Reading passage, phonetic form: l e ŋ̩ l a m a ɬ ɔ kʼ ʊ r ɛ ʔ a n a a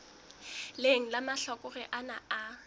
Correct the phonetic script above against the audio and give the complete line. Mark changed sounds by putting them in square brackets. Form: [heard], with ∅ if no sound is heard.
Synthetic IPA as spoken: l e ŋ̩ l a m a ɬ ɔ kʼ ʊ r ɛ ʔ a n a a